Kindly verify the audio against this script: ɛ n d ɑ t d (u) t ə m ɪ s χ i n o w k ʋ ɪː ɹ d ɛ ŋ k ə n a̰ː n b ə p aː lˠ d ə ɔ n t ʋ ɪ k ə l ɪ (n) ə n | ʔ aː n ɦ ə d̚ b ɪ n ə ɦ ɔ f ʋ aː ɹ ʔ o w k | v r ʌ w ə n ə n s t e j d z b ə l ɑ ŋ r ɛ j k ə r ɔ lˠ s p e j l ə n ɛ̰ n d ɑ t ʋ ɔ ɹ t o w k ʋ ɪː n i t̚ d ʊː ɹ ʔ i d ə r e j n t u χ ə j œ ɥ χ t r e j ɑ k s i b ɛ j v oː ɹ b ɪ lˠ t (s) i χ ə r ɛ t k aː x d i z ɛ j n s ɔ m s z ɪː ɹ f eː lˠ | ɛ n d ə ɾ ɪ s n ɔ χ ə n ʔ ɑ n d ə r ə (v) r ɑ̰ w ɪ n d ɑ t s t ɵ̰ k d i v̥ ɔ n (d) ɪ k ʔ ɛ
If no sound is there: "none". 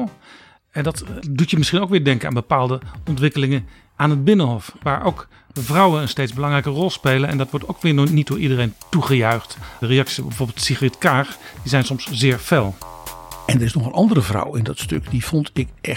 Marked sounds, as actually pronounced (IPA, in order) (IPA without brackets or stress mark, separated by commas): u, ŋ, s, v, t